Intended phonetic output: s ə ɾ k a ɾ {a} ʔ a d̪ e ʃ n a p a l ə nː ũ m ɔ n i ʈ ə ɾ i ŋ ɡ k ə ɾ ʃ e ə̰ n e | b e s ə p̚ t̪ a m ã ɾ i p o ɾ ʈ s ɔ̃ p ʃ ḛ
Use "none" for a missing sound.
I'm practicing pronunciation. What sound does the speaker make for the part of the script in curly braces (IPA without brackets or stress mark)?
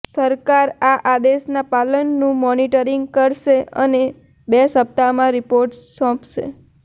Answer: a